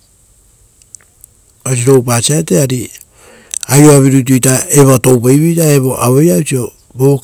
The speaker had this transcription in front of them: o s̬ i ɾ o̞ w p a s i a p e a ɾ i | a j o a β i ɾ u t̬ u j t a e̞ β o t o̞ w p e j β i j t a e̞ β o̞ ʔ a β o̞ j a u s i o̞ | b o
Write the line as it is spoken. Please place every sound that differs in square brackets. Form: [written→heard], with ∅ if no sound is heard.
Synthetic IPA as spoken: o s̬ i ɾ o̞ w p a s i a [p→t] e a ɾ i | a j o a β i ɾ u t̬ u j t a e̞ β o t o̞ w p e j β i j t a e̞ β o̞ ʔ a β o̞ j a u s i o̞ | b o